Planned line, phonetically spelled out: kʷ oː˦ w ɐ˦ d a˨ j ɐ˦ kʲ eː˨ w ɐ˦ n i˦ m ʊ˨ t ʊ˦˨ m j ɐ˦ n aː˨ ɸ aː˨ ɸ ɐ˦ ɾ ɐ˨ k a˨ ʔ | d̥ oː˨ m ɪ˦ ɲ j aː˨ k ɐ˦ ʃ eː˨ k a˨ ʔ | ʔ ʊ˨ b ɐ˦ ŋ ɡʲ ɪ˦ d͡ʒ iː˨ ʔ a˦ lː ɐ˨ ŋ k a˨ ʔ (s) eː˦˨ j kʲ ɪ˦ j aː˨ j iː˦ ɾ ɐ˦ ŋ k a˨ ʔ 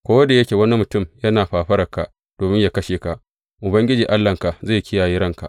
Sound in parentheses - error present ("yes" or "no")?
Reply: yes